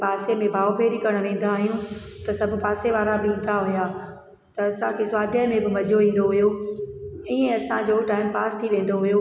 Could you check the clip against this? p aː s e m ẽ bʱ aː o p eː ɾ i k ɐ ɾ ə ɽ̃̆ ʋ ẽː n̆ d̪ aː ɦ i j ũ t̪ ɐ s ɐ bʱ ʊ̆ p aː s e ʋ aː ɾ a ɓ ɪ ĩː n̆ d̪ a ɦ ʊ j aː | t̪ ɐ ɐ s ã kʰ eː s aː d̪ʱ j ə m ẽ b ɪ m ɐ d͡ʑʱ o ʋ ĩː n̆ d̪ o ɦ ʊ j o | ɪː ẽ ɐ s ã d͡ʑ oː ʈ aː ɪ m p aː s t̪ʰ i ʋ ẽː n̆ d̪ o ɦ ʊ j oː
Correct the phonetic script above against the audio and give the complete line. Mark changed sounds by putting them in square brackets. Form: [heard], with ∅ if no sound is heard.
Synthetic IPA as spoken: p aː s e m ẽ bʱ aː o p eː ɾ i k ɐ ɾ ə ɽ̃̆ ʋ ẽː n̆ d̪ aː ɦ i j ũ t̪ ɐ s ɐ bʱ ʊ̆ p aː s e ʋ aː ɾ a [b] ɪ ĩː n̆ d̪ a ɦ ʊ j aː | t̪ ɐ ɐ s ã kʰ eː s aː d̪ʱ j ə m ẽ b ɪ m ɐ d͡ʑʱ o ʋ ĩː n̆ d̪ o ɦ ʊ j o | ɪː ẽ ɐ s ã d͡ʑ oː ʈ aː ɪ m p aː s t̪ʰ i ʋ ẽː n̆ d̪ o ɦ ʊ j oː